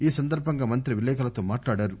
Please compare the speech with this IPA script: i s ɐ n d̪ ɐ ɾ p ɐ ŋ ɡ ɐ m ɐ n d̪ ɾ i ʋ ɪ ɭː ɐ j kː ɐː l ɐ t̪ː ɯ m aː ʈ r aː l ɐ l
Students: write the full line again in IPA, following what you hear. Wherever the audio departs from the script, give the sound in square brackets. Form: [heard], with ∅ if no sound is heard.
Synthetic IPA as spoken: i s ɐ n d̪ ɐ ɾ p ɐ ŋ ɡ ɐ m ɐ n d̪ ɾ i ʋ ɪ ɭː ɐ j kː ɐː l ɐ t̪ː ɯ m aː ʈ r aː [ɽ] ɐ [ɾ]